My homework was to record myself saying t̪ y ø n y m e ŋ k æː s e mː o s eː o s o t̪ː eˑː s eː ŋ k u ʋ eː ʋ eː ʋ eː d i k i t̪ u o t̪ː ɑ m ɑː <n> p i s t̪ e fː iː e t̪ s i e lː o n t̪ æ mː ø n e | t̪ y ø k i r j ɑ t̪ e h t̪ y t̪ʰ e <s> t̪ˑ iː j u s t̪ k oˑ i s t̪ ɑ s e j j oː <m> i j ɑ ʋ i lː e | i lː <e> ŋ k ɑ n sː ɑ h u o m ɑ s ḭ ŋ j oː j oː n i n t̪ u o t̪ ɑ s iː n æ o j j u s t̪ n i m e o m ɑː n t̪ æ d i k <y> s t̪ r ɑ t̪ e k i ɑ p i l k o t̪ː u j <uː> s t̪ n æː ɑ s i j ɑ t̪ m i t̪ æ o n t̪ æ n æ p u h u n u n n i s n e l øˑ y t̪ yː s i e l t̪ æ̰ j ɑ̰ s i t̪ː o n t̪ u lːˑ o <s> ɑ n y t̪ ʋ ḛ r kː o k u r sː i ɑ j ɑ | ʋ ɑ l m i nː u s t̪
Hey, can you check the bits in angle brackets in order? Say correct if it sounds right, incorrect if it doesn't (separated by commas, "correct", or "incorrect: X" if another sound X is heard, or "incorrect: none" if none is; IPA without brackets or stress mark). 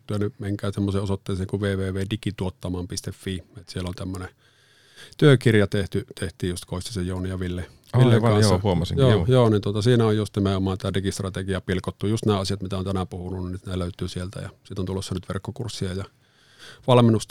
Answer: incorrect: m, incorrect: h, incorrect: n, correct, incorrect: i, incorrect: u, incorrect: sː